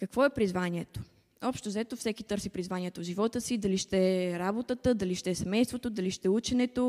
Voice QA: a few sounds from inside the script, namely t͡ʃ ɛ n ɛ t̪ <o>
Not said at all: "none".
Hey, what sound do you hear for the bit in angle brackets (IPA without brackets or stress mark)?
o